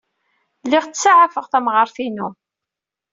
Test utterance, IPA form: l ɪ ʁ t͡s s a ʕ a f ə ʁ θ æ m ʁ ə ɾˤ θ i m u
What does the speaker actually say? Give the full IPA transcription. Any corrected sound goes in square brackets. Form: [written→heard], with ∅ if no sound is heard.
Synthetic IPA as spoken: l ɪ ʁ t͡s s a ʕ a f ə ʁ θ æ m ʁ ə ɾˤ θ i [m→n] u